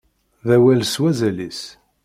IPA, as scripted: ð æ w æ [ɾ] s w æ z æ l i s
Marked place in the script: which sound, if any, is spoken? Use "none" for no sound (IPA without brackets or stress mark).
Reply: l